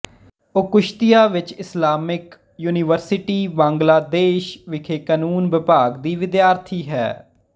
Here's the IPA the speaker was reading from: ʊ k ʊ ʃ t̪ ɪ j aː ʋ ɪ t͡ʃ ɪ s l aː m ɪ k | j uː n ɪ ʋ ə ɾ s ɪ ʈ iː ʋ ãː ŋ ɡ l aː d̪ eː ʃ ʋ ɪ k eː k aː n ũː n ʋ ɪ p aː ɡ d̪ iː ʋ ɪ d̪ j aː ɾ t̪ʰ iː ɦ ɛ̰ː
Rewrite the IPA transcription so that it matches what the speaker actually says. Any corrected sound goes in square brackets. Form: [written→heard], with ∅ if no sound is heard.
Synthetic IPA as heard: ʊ k ʊ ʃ t̪ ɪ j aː ʋ ɪ t͡ʃ ɪ s l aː m ɪ k | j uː n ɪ ʋ ə ɾ s ɪ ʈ iː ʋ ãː ŋ ɡ l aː d̪ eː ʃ ʋ ɪ [k→kʰ] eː k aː n [ũː→uː] n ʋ ɪ p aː ɡ d̪ iː ʋ ɪ d̪ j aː ɾ t̪ʰ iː ɦ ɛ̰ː